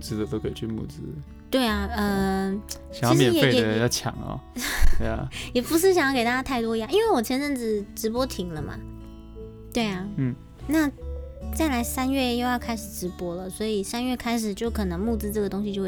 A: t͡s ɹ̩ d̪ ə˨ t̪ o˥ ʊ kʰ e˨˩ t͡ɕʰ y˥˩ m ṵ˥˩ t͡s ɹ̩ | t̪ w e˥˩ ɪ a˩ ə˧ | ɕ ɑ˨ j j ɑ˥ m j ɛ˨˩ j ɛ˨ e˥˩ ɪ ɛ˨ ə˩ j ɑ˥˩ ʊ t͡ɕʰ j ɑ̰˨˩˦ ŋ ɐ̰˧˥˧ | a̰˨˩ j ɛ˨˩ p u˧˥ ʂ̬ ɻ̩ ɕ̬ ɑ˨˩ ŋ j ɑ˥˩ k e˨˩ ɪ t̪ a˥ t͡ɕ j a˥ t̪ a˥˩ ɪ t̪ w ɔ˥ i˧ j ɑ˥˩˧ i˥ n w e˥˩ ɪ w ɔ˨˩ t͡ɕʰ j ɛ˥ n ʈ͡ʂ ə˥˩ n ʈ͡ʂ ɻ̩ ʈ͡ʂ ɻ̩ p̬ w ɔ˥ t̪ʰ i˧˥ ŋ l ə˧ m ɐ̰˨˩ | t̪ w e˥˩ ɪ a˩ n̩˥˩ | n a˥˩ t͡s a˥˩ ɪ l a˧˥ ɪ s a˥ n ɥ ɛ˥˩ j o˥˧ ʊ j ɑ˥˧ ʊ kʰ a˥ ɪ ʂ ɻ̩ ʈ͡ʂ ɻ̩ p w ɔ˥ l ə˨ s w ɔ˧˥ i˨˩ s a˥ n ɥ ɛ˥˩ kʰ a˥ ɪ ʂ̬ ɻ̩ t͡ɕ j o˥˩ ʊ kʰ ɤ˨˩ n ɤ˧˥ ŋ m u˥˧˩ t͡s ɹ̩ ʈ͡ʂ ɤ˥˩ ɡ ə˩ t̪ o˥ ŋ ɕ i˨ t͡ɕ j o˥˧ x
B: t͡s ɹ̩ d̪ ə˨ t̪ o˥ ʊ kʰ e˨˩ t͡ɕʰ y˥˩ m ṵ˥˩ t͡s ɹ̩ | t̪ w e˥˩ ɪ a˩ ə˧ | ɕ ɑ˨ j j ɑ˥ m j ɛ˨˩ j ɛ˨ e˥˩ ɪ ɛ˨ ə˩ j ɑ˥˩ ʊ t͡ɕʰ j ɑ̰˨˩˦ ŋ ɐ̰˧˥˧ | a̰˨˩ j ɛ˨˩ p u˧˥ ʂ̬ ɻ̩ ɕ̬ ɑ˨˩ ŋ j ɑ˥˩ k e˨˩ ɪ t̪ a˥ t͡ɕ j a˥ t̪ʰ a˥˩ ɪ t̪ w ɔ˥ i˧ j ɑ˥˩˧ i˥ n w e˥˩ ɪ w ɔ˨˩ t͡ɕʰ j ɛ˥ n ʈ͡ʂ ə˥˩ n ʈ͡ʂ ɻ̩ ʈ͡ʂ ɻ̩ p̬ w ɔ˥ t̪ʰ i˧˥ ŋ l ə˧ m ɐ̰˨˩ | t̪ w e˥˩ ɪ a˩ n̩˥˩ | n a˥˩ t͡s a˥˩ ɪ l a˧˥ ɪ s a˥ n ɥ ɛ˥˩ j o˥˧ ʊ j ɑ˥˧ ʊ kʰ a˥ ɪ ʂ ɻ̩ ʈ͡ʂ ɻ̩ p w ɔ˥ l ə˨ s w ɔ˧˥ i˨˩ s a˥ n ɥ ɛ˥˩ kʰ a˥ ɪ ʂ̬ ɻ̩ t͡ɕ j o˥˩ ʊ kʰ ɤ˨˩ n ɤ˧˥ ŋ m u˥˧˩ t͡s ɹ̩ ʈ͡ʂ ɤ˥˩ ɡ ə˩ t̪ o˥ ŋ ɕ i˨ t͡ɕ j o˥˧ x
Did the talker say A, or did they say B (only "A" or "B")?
B